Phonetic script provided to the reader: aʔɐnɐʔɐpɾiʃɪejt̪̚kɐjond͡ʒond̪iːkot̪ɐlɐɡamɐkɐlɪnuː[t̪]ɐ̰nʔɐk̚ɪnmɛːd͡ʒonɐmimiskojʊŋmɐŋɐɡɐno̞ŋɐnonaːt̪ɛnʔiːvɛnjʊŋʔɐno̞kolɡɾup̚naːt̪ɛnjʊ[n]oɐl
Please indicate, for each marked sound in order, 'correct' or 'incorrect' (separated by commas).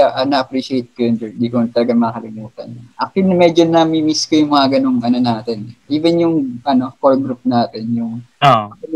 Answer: correct, incorrect